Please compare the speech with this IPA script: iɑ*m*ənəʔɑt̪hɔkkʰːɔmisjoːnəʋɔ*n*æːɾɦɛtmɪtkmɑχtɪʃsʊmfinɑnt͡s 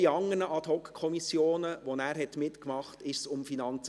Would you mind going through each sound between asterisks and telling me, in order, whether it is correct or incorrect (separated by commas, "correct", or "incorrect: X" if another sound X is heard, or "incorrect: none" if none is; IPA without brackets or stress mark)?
incorrect: ŋ, correct